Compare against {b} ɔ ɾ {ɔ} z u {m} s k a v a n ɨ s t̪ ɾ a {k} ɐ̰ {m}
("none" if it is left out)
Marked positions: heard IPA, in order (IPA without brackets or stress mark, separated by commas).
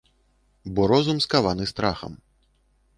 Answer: b, ɔ, m, x, m